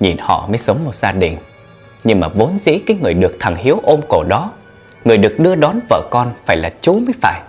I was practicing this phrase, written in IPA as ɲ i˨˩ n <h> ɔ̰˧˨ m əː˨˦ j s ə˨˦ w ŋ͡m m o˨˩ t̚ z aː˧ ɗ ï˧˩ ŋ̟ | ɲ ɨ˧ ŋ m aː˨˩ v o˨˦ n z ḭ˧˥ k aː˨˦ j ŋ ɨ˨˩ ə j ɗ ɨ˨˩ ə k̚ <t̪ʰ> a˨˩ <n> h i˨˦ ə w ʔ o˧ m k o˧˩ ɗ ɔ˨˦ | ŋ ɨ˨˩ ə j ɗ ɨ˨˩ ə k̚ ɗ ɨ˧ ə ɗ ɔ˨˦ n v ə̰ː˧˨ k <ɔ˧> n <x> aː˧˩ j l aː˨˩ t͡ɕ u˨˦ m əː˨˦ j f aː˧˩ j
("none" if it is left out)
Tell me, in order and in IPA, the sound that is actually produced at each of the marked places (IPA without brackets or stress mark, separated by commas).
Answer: h, t̪ʰ, ŋ, ɔ˧, f